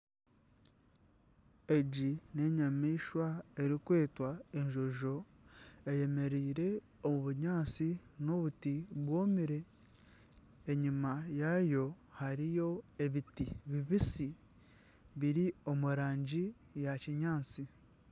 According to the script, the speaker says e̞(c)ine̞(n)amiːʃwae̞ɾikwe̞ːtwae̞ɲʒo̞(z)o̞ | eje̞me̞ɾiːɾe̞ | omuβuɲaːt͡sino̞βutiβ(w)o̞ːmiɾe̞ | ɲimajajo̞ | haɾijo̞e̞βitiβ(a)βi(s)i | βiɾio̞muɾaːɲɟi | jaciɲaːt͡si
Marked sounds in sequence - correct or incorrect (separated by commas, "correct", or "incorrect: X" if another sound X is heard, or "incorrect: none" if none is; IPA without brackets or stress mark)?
incorrect: ɟ, incorrect: ɲ, incorrect: ʒ, correct, incorrect: i, correct